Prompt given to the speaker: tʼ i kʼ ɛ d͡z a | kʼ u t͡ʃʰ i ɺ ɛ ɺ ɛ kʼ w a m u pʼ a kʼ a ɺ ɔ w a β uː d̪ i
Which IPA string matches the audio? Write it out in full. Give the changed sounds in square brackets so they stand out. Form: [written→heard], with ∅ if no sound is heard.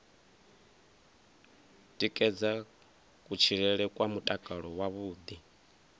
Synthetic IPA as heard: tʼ i kʼ ɛ d͡z a | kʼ u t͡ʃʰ i ɺ ɛ ɺ ɛ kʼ w a m u [pʼ→tʼ] a kʼ a ɺ ɔ w a β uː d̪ i